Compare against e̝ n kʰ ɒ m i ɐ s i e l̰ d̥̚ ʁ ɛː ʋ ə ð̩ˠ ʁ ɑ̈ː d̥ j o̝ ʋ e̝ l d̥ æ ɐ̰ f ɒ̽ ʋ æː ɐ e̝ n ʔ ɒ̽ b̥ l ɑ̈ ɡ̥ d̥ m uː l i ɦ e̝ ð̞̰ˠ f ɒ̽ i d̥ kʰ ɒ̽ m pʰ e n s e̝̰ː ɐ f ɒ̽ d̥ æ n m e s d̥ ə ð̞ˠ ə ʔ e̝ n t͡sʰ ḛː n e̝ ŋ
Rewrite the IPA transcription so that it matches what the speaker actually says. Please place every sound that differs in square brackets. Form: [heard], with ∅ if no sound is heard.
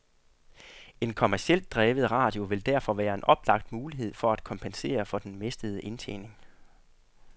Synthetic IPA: e̝ n kʰ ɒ m [æ] ɐ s i e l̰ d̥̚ ʁ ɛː ʋ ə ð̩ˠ ʁ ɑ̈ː d̥ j o̝ ʋ e̝ l d̥ æ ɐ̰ f ɒ̽ ʋ æː ɐ e̝ n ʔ ɒ̽ b̥ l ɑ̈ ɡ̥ d̥ m uː l i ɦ e̝ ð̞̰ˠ f ɒ̽ [æ] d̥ kʰ ɒ̽ m pʰ e n s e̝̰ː ɐ f ɒ̽ d̥ [e] n m e s d̥ ə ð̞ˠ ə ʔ e̝ n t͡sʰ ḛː n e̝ ŋ